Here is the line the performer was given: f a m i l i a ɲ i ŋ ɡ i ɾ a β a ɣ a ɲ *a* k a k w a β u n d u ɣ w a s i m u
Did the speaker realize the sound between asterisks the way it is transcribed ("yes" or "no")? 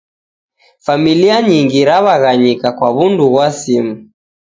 no